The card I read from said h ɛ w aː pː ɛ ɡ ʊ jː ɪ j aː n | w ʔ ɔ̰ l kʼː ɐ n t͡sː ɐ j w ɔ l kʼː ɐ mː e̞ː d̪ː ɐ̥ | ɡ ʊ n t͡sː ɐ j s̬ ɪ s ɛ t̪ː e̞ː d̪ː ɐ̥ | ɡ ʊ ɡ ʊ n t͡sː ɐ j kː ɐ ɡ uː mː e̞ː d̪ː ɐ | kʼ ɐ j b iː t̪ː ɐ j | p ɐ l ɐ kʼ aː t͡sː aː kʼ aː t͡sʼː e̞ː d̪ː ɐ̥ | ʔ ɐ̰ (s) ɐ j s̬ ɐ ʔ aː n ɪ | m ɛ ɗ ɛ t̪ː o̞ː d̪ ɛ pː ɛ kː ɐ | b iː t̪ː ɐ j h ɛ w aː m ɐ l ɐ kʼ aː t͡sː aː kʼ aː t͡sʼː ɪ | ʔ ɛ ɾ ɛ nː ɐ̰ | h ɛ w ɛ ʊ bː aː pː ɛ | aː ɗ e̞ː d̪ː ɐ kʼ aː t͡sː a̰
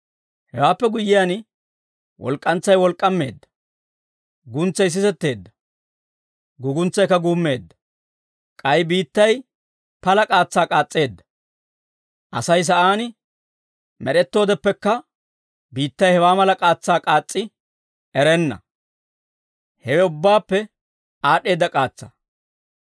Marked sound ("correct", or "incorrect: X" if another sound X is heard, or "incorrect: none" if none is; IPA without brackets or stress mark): correct